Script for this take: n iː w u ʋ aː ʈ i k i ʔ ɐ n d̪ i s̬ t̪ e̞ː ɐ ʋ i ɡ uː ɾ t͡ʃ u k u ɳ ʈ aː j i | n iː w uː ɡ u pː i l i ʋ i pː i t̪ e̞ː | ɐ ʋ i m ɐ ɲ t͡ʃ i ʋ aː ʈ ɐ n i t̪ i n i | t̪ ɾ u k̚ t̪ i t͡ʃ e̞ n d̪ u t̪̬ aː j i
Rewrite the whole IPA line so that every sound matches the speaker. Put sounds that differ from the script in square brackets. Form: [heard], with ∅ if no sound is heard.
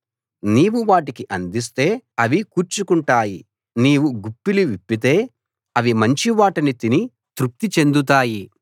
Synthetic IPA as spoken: n iː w u ʋ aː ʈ i k i ʔ ɐ n d̪ i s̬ t̪ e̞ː ɐ ʋ i [k] uː ɾ t͡ʃ u k u ɳ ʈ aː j i | n iː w [u] ɡ u pː i l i ʋ i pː i t̪ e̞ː | ɐ ʋ i m ɐ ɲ t͡ʃ i ʋ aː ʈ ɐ n i t̪ i n i | t̪ ɾ u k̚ t̪ i t͡ʃ e̞ n d̪ u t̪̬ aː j i

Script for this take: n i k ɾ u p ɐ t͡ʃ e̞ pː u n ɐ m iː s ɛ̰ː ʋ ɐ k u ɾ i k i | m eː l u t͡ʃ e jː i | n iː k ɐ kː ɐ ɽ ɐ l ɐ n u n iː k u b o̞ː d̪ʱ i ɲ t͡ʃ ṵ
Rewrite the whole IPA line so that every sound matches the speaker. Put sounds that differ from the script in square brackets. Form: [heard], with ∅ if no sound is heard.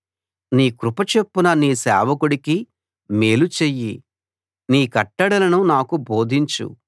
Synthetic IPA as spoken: n [iː] k ɾ u p ɐ t͡ʃ e̞ pː u n ɐ [n] iː s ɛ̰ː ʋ ɐ k u [ɽ] i k i | m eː l u t͡ʃ e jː i | n iː k ɐ [ʈː] ɐ ɽ ɐ l ɐ n u n [aː] k u b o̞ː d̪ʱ i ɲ t͡ʃ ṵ

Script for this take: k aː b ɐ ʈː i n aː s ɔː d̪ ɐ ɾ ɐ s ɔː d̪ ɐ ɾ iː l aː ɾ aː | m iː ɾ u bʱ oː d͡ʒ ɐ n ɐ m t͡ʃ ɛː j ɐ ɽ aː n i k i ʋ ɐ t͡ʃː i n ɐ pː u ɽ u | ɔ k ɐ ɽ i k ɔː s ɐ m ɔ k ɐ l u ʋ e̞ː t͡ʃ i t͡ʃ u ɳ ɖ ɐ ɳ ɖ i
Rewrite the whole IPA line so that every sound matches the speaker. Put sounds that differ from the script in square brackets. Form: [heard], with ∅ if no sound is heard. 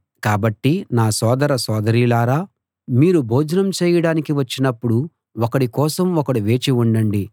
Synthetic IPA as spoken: k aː b ɐ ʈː i n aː s ɔː d̪ ɐ ɾ ɐ s ɔː d̪ ɐ ɾ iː l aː ɾ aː | m iː ɾ u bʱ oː d͡ʒ ɐ n ɐ m t͡ʃ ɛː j ɐ ɽ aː n i k i ʋ ɐ t͡ʃː i n ɐ pː u ɽ u | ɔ k ɐ ɽ i k ɔː s ɐ m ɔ k ɐ [ɽ] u ʋ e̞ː t͡ʃ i [∅] u ɳ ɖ ɐ ɳ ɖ i

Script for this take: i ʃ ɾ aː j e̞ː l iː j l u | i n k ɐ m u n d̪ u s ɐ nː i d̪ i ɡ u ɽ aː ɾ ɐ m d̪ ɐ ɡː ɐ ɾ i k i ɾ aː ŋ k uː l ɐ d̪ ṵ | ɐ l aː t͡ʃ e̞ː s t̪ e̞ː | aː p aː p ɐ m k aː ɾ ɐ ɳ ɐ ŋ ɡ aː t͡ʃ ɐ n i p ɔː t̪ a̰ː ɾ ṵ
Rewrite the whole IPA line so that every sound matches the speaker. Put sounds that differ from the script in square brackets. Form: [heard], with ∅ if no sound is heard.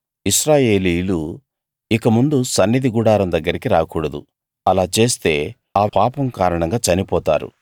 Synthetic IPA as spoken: i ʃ ɾ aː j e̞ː l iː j l u | i [∅] k ɐ m u n d̪ u s ɐ nː i d̪ i ɡ u ɽ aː ɾ ɐ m d̪ ɐ ɡː ɐ ɾ i k i ɾ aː [∅] k uː [ɽ] ɐ d̪ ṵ | ɐ l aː t͡ʃ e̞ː s t̪ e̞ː | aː p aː p ɐ m k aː ɾ ɐ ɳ ɐ ŋ ɡ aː t͡ʃ ɐ n i p ɔː t̪ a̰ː ɾ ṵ

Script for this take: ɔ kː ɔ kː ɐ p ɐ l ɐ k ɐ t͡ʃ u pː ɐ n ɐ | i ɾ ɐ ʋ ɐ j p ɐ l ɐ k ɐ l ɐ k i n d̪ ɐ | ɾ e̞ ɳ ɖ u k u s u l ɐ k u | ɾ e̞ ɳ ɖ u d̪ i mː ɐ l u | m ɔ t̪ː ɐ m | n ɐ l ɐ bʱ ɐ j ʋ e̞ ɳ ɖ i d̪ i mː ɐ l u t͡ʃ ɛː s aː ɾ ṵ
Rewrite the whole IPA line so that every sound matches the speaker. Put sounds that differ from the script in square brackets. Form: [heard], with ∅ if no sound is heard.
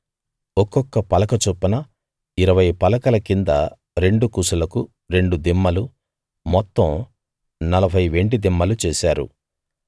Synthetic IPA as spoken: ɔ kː ɔ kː ɐ p ɐ l ɐ k ɐ t͡ʃ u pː ɐ n ɐ | i ɾ ɐ ʋ ɐ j p ɐ l ɐ k ɐ l ɐ k i n d̪ ɐ | ɾ e̞ ɳ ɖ u k u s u l ɐ k u | ɾ e̞ ɳ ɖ u d̪ i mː ɐ l u | m ɔ t̪ː ɐ m | n ɐ l ɐ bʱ ɐ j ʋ e̞ ɳ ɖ i d̪ i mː ɐ l u t͡ʃ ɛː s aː ɾ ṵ

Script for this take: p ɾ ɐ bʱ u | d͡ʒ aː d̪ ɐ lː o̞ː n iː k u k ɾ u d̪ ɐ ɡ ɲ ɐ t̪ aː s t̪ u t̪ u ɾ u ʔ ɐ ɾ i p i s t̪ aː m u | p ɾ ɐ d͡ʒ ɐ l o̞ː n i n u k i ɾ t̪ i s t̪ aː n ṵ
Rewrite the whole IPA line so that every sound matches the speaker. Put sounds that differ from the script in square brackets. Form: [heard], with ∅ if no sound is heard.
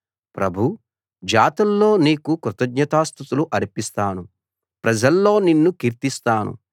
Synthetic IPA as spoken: p ɾ ɐ bʱ u | d͡ʒ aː [t̪] ɐ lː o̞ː n iː k u k ɾ u [t̪] ɐ ɡ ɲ ɐ t̪ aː s t̪ u t̪ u [l] u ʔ ɐ ɾ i p i s t̪ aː [n] u | p ɾ ɐ d͡ʒ ɐ [lː] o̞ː n i [nː] u k i ɾ t̪ i s t̪ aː n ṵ

